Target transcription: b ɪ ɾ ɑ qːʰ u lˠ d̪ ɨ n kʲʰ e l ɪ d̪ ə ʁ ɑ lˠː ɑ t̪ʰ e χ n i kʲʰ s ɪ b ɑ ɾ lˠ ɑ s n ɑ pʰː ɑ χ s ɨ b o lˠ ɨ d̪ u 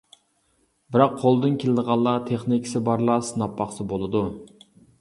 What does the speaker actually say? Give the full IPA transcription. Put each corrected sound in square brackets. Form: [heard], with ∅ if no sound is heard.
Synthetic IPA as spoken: b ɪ ɾ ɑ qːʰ [o] lˠ d̪ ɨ n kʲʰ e l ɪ d̪ ə ʁ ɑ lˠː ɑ t̪ʰ e χ n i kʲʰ s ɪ b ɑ ɾ lˠ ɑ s n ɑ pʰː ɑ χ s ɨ b o lˠ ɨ d̪ u